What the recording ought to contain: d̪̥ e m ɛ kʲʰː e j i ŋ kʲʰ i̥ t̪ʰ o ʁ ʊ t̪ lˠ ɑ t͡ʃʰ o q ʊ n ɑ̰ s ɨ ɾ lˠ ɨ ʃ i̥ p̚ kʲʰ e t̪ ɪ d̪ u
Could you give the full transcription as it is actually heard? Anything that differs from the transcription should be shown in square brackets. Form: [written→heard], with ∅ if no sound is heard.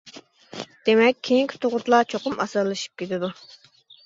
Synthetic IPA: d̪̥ e m ɛ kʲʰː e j i ŋ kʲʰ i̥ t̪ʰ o ʁ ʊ t̪ lˠ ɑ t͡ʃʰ o q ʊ [n→m] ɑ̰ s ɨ ɾ lˠ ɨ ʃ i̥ p̚ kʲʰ e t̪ ɪ d̪ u